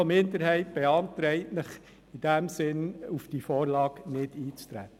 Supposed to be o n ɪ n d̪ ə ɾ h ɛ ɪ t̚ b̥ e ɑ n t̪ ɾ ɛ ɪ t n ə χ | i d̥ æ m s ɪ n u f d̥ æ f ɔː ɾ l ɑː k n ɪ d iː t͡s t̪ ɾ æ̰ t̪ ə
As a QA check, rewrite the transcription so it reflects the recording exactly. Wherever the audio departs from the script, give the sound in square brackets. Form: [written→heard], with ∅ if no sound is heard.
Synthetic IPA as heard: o [n→m] ɪ n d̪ ə ɾ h ɛ ɪ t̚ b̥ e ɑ n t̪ ɾ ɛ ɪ t n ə χ | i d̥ æ m s ɪ n u f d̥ [æ→i] f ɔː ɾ l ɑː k n ɪ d iː t͡s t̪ ɾ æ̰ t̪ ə